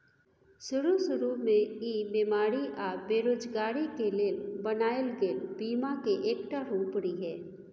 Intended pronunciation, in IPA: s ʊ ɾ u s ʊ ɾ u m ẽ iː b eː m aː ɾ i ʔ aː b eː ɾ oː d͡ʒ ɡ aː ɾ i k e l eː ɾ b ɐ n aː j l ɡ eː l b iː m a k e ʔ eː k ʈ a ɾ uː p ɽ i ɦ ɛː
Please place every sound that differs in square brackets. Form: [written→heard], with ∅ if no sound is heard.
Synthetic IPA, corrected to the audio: s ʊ ɾ u s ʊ ɾ u m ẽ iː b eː m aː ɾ i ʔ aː b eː ɾ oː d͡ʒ ɡ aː ɾ i k e l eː [ɾ→l] b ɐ n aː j l ɡ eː l b iː m a k e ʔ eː k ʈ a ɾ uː p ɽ i ɦ ɛː